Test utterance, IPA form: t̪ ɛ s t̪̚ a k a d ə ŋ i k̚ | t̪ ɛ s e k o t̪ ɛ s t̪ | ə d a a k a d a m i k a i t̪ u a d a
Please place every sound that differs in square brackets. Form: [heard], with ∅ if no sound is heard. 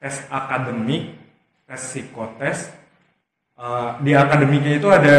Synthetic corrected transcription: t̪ ɛ s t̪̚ a k a d ə [m] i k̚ | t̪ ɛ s [i] k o t̪ ɛ s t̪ | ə d [i] a k a d [ə] m i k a i t̪ u a d a